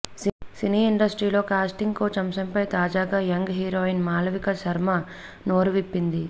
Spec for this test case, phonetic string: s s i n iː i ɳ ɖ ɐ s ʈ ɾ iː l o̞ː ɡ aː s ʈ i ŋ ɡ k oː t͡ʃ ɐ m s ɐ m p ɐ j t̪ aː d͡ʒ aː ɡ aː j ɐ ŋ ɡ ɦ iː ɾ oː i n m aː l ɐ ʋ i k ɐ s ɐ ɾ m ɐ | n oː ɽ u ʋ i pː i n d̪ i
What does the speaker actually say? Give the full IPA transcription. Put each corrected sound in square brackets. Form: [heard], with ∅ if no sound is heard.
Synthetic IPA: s s i n iː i ɳ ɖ ɐ s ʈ ɾ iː l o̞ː [k] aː s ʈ i ŋ ɡ k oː t͡ʃ ɐ m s ɐ m p ɐ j t̪ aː d͡ʒ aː ɡ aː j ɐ ŋ ɡ ɦ iː ɾ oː i n m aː l ɐ ʋ i k ɐ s ɐ ɾ m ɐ | n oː [ɾ] u ʋ i pː i n d̪ i